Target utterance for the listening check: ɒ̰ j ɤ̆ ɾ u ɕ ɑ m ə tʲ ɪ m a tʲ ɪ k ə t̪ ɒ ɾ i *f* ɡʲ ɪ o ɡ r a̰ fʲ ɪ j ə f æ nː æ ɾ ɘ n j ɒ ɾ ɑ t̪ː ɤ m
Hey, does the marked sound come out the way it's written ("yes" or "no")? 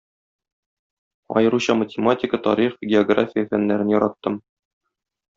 no